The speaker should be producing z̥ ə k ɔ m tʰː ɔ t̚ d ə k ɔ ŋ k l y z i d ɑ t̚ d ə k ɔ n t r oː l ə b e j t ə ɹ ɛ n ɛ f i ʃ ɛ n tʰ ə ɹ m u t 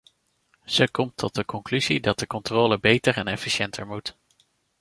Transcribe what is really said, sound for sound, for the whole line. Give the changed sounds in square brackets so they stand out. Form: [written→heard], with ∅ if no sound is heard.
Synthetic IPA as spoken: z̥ ə k ɔ m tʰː ɔ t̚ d ə k ɔ ŋ k l y z i d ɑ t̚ d ə k ɔ n t r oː l ə b e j t ə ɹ ɛ n ɛ f i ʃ ɛ n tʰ ə ɹ m u t